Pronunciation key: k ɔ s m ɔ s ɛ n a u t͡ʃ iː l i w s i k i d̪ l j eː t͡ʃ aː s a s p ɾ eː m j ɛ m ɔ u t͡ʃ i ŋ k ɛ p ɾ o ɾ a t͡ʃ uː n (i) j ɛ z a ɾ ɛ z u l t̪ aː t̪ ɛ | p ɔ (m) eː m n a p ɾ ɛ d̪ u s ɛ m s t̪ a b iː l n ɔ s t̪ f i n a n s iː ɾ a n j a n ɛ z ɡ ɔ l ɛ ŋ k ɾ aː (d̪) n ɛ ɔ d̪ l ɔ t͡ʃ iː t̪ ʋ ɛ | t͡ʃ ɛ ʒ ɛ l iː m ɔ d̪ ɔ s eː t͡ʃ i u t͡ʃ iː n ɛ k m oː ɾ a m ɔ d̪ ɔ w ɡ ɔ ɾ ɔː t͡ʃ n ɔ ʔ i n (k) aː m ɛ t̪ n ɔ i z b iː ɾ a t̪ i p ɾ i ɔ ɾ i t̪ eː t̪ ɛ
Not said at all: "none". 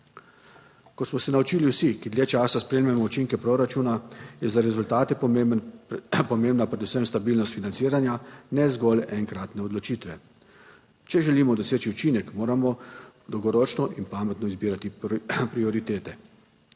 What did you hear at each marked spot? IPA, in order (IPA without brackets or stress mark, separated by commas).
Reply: a, m, t̪, p